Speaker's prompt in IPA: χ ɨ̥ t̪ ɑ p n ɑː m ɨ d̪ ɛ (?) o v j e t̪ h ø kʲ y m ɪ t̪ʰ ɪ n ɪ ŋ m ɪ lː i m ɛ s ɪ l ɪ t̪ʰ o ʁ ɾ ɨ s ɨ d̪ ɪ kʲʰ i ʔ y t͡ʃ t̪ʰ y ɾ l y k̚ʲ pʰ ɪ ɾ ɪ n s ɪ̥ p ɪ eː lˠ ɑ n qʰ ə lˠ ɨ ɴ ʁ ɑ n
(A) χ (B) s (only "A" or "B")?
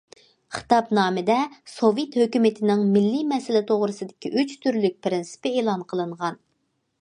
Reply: B